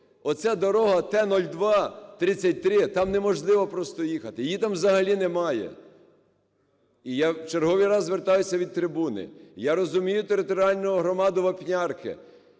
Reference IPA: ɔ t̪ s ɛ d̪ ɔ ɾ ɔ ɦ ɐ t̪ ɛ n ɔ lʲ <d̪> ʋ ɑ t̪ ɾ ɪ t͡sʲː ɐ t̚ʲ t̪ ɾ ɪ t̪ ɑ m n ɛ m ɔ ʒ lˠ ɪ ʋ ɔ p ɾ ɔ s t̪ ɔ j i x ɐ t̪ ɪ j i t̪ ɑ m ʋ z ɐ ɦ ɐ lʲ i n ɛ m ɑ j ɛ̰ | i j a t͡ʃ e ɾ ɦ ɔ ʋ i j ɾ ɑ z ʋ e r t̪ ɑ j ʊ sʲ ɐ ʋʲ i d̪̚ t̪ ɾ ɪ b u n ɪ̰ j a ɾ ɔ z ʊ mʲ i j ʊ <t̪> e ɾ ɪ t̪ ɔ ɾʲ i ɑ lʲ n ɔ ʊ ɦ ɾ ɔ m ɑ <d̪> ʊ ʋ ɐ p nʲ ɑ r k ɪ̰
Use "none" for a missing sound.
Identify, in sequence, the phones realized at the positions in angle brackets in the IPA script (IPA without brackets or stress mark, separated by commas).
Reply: d̪, t̪, d̪